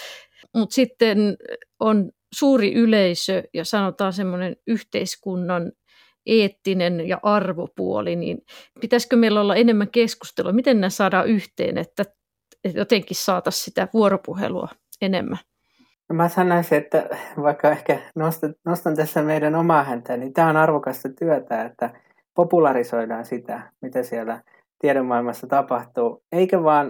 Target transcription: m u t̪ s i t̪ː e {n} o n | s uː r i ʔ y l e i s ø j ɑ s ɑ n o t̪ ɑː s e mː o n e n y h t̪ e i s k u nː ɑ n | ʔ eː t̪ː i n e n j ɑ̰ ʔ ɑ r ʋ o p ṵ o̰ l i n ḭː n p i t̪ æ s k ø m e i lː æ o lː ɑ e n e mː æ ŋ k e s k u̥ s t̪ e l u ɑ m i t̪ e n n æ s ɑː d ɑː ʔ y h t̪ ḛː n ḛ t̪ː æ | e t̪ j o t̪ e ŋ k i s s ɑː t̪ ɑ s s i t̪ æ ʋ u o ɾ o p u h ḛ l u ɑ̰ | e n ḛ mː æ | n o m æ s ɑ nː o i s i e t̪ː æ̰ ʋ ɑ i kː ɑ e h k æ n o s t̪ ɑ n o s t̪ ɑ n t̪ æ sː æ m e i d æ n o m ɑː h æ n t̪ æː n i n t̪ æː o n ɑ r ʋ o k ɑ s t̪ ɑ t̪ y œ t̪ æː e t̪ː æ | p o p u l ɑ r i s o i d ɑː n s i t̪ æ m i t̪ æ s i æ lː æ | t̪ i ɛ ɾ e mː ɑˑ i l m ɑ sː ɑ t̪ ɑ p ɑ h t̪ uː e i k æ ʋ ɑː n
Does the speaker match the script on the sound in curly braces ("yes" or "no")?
yes